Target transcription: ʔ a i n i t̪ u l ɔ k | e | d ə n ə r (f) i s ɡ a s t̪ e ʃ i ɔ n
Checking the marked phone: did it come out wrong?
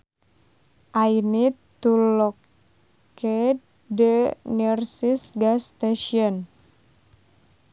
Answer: yes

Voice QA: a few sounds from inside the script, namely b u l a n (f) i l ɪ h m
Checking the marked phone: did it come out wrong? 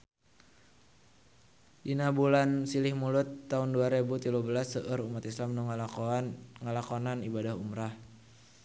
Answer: yes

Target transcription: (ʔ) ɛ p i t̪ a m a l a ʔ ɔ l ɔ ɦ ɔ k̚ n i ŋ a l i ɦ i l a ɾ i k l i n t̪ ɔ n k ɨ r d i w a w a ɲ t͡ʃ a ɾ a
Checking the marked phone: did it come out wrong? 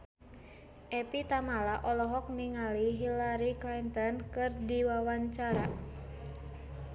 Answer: no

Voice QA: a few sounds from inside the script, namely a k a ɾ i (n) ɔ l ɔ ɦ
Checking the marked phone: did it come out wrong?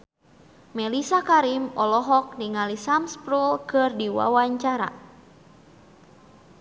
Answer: yes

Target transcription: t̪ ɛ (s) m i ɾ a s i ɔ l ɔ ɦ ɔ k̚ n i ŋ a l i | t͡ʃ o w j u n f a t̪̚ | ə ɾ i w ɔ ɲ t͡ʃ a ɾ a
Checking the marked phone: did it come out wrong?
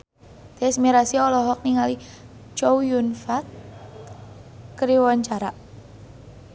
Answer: no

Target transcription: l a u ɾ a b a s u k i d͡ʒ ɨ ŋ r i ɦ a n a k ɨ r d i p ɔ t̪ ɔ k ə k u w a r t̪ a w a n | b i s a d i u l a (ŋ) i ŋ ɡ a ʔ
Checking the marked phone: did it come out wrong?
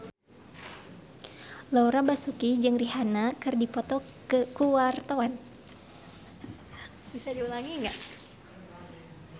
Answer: no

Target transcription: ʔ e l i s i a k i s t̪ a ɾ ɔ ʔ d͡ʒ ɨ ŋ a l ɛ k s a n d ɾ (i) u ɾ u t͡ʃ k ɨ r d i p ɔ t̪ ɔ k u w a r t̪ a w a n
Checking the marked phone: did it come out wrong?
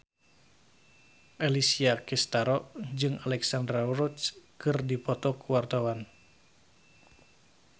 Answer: yes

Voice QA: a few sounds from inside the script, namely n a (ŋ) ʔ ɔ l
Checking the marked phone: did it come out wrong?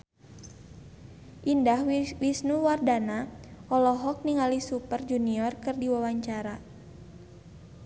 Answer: yes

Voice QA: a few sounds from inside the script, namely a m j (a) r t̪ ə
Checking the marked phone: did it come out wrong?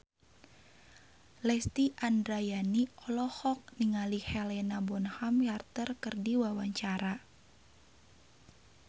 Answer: no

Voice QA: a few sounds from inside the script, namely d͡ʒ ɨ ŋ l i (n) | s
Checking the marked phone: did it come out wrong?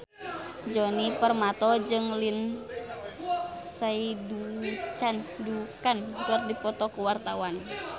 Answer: no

